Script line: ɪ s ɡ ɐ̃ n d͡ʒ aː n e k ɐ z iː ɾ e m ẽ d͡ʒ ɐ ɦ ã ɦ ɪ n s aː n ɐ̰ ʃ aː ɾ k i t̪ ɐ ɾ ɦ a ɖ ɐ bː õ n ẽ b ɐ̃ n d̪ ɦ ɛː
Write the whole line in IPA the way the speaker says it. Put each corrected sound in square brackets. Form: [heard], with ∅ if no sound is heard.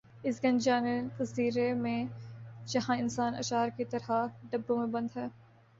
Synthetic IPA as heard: ɪ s ɡ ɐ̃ n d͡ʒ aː n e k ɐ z iː ɾ e m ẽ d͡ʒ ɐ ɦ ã [∅] ɪ n s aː n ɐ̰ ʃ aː ɾ k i t̪ ɐ ɾ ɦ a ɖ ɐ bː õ [m] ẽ b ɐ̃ n d̪ ɦ ɛː